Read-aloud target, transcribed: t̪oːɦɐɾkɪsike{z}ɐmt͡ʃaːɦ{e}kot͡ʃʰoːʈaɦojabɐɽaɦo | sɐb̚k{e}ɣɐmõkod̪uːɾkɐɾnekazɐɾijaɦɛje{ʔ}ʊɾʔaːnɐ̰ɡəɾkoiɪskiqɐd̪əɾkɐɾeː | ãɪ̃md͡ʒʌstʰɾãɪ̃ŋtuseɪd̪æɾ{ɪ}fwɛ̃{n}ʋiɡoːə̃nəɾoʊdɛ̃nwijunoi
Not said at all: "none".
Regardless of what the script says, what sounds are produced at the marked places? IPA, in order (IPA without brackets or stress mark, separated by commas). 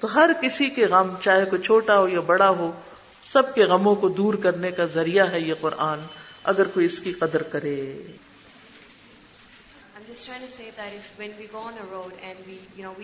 ɣ, e, e, q, ɪ, n